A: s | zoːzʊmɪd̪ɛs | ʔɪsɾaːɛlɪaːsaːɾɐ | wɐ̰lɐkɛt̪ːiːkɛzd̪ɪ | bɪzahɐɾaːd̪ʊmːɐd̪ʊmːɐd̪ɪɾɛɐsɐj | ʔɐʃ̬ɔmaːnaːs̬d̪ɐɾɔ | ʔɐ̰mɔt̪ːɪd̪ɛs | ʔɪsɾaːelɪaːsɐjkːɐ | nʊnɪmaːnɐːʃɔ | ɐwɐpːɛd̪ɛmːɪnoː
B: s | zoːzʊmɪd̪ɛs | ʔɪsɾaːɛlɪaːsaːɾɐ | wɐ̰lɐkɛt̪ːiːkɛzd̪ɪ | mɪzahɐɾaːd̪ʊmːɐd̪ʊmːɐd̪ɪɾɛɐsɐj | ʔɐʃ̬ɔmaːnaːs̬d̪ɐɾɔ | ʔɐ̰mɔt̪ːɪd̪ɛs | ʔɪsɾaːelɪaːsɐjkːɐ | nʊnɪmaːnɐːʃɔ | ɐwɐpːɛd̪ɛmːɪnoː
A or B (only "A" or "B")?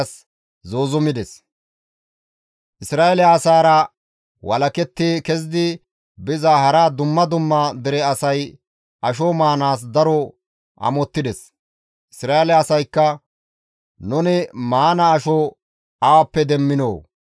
A